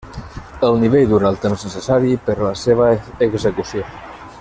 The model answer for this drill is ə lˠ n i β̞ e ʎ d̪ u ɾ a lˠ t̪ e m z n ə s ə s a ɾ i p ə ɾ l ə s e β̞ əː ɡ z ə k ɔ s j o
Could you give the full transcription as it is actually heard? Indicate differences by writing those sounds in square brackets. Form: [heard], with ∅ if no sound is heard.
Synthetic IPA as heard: ə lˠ n i β̞ e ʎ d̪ u ɾ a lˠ t̪ e m z n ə s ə s a ɾ i p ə ɾ l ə s e β̞ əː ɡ z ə k [u] s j o

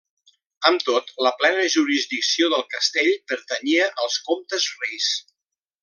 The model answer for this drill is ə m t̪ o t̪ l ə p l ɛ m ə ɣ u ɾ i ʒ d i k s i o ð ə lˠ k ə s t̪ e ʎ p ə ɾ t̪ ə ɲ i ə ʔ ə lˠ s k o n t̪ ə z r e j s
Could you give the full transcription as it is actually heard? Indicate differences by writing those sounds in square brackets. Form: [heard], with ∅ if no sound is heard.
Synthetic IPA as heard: ə m t̪ o t̪ l ə p l ɛ [n] ə [ʒ] u ɾ i [z] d i k s i o ð ə lˠ k ə s t̪ e ʎ p ə ɾ t̪ ə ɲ i ə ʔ ə lˠ s k o [m] t̪ ə z r e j s

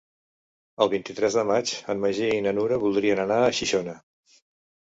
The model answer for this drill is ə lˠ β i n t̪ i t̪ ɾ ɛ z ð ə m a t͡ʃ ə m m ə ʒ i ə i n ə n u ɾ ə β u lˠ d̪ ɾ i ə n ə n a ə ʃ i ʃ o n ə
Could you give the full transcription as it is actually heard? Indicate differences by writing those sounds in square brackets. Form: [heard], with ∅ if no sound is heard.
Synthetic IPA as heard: ə lˠ β i n t̪ i t̪ ɾ ɛ z ð ə m a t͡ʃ ə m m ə ʒ i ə i n ə n u ɾ ə β u lˠ d̪ ɾ i ə n ə n a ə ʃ i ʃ o n ə

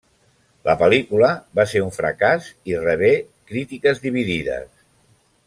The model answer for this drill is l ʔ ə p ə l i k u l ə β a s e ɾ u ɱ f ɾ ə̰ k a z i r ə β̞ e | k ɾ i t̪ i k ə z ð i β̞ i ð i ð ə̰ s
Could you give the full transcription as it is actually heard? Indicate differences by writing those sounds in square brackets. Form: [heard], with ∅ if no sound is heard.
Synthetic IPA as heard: l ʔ ə p ə l i k u l ə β a s e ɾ u ɱ f ɾ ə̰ k a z i r ə β̞ e | k ɾ i t̪ i k ə z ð i β̞ i ð i ð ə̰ s

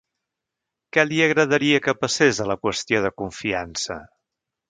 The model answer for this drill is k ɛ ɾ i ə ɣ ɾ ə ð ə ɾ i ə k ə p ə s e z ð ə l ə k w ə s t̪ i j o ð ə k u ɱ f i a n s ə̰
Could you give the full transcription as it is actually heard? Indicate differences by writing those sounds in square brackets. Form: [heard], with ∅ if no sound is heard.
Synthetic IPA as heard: k ɛ [l] i ə ɣ ɾ ə ð ə ɾ i ə k ə p ə s e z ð ə l ə k w ə s t̪ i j o ð ə k u ɱ f i a n s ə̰

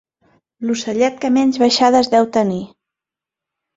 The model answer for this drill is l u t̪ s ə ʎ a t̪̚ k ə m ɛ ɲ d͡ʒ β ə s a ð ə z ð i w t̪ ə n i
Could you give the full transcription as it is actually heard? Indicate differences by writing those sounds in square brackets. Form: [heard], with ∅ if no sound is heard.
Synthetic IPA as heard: l u [∅] s ə ʎ [ɛ] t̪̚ k ə m ɛ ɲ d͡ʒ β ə [ʃ] a ð ə z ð [ɛ] w t̪ ə n i

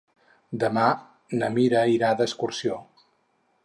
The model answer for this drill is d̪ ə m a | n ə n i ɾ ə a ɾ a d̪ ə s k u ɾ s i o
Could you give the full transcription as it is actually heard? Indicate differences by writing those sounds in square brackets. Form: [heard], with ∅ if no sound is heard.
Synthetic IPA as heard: d̪ ə m a | n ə [m] i ɾ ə [i] ɾ a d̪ ə s k u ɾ s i o

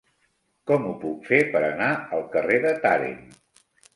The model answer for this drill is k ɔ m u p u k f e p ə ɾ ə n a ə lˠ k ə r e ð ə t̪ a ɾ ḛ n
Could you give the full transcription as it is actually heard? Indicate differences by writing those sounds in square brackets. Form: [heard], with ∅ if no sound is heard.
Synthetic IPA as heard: k ɔ m u p u k f e p ə ɾ ə n a ə lˠ k ə r e ð ə t̪ a ɾ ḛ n

